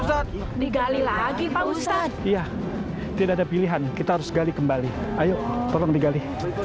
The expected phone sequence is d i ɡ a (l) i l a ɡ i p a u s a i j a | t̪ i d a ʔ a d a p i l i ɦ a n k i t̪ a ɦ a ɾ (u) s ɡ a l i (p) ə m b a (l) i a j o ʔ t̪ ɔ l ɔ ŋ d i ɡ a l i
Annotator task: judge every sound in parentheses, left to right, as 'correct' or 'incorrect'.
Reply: correct, incorrect: ʊ, incorrect: k, correct

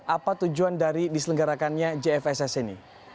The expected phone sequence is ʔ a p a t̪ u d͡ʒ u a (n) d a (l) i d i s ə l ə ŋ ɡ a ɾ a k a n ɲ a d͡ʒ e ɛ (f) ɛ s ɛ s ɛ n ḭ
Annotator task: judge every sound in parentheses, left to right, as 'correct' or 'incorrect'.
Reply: correct, incorrect: ɾ, correct

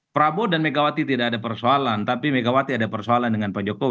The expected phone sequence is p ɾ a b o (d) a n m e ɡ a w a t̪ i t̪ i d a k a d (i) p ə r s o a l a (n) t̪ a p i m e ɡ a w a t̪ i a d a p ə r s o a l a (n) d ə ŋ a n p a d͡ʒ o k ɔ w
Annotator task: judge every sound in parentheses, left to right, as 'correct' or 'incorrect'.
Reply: correct, incorrect: a, correct, correct

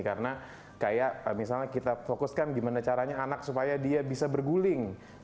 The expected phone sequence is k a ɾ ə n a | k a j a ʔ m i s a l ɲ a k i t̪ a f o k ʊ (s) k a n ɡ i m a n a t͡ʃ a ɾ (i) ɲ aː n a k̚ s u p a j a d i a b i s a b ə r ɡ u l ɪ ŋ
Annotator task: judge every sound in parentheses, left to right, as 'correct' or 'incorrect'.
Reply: correct, incorrect: a

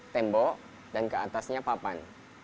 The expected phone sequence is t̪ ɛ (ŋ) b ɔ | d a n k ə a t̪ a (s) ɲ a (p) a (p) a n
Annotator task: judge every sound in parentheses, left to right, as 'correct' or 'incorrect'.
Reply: incorrect: m, correct, correct, correct

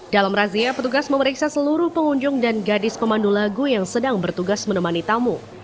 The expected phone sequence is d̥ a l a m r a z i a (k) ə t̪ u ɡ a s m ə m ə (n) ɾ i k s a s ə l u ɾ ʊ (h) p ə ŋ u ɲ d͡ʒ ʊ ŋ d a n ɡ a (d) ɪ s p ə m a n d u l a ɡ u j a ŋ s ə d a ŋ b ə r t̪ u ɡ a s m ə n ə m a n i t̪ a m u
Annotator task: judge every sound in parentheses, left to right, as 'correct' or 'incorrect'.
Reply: incorrect: p, incorrect: none, correct, correct

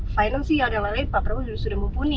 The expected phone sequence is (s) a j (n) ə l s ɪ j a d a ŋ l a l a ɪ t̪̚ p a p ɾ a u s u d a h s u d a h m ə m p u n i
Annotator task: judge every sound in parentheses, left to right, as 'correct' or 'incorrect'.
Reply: incorrect: f, correct

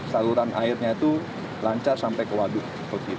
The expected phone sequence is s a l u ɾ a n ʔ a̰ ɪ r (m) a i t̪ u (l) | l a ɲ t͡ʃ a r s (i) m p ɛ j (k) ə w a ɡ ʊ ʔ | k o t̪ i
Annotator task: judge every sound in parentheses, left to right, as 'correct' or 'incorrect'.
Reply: incorrect: ɲ, incorrect: none, incorrect: a, correct

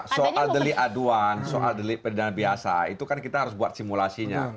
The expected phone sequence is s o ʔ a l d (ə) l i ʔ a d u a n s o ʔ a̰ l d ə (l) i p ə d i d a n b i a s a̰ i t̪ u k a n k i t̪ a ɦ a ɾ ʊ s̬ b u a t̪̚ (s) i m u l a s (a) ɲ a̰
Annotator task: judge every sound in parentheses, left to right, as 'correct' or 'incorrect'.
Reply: correct, correct, correct, incorrect: i

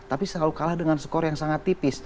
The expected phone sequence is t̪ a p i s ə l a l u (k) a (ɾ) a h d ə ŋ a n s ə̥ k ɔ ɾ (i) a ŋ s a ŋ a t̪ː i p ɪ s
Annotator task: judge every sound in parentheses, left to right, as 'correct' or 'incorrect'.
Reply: correct, incorrect: l, incorrect: j

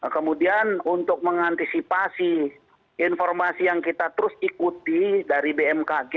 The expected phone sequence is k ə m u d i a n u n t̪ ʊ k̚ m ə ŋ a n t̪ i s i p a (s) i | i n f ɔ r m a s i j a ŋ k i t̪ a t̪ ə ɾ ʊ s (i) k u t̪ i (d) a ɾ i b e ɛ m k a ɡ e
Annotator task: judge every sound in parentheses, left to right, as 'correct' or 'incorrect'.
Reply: correct, correct, correct

